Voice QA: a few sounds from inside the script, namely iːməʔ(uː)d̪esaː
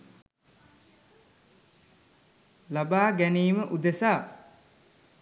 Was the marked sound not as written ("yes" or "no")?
yes